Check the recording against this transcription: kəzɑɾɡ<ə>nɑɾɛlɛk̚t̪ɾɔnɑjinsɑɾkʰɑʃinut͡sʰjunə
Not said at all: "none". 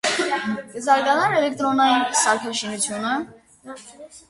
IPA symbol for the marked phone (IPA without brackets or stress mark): ɑ